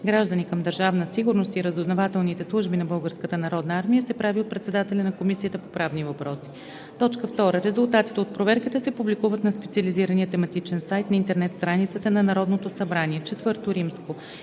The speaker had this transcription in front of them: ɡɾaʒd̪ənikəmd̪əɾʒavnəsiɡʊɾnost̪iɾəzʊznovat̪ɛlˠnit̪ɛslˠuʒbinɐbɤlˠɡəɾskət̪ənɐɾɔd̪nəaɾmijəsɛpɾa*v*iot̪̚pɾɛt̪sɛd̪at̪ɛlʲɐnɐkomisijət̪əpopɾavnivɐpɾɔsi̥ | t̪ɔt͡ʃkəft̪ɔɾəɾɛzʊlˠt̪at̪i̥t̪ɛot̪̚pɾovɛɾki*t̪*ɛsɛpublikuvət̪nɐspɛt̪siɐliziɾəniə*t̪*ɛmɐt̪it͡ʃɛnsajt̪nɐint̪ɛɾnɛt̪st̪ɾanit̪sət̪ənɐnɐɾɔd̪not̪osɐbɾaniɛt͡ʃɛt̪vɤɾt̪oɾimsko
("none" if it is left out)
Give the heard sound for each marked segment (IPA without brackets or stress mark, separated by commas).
v, t̪, t̪